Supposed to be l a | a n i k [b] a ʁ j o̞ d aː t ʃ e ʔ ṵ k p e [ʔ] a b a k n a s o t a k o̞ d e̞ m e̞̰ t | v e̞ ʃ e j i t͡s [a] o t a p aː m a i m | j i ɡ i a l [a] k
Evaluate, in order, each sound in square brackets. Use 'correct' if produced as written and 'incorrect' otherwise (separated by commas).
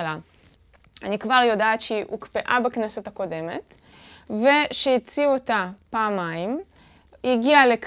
incorrect, correct, incorrect, incorrect